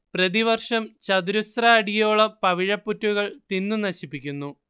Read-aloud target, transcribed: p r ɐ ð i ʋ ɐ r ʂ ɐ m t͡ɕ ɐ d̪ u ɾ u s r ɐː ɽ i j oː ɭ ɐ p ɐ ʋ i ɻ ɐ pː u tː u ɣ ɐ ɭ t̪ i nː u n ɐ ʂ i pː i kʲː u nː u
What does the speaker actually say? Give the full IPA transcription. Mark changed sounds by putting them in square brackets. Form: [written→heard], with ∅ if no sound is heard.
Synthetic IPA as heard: p r ɐ ð i ʋ ɐ r ʂ ɐ m t͡ɕ ɐ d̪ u ɾ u s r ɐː ɽ i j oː ɭ ɐ p ɐ ʋ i ɻ ɐ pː u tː u ɣ ɐ ɭ t̪ i nː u n ɐ [ʂ→ɕ] i pː i kʲː u nː u